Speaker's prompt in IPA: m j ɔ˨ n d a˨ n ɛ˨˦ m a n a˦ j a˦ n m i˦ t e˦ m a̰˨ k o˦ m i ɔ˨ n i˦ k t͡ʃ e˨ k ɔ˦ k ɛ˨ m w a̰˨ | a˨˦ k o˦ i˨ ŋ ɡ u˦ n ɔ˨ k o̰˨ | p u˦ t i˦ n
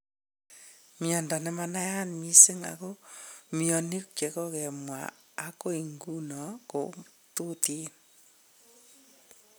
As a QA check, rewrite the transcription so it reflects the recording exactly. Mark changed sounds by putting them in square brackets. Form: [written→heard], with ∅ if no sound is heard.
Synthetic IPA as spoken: m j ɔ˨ n d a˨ n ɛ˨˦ m a n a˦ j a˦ n m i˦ [t→s] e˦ [m→ŋ] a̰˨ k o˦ m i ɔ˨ n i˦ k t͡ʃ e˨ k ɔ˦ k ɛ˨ m w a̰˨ | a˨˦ k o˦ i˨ ŋ ɡ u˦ n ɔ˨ k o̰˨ | [p→t] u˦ t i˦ n